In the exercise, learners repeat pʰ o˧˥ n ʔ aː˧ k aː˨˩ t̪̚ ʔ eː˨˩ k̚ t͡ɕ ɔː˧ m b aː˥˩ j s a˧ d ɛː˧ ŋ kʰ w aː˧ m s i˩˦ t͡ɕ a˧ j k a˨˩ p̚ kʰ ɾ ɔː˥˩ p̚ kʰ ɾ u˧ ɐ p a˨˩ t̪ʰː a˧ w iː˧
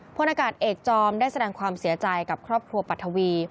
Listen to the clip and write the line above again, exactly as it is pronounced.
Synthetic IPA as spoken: pʰ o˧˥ n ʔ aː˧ k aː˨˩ t̪̚ ʔ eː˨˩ k̚ t͡ɕ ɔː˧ m d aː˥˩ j s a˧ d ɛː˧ ŋ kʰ w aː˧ m s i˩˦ t͡ɕ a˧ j k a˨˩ p̚ kʰ ɾ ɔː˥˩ p̚ kʰ ɾ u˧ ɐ p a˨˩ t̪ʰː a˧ w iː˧